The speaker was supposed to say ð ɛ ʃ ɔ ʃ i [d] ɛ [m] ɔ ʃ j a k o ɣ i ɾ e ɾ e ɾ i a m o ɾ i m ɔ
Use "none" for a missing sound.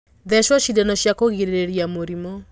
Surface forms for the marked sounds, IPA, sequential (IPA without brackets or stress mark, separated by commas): d, n